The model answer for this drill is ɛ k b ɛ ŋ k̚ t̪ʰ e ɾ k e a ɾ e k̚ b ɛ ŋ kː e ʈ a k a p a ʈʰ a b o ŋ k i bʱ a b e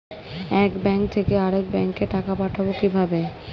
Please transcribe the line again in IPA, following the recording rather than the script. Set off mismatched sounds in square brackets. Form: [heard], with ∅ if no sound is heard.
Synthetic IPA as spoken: ɛ k b ɛ ŋ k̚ t̪ʰ e [∅] k e a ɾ e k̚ b ɛ ŋ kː e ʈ a k a p a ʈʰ a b o [∅] k i bʱ a b e